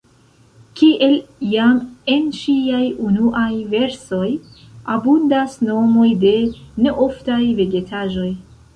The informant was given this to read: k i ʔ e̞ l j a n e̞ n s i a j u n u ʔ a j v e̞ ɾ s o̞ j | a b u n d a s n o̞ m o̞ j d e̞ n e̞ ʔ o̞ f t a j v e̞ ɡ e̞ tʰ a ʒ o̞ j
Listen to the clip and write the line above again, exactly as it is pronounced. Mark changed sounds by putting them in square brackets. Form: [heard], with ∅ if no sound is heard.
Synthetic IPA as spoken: k i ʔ e̞ l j a [m] e̞ n [ʃ] i a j u n u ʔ a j v e̞ ɾ s o̞ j | a b u n d a s n o̞ m o̞ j d e̞ n e̞ ʔ o̞ f t a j v e̞ ɡ e̞ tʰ a ʒ o̞ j